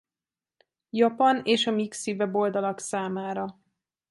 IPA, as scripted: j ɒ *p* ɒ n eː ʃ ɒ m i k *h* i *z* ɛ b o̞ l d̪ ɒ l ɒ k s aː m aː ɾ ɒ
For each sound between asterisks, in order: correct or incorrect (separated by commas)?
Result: correct, incorrect, incorrect